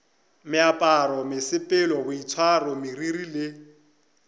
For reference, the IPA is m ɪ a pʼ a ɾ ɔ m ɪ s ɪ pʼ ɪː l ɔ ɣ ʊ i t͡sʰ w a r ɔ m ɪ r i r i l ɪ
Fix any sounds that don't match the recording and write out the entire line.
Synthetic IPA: m ɪ a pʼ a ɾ ɔ m ɪ s ɪ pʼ ɪ l ɔ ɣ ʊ i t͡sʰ w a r ɔ m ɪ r i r i l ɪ